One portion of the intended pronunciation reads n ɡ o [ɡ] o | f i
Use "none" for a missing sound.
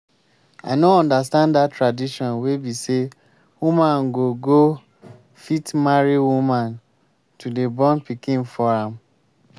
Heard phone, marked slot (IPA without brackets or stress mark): ɡ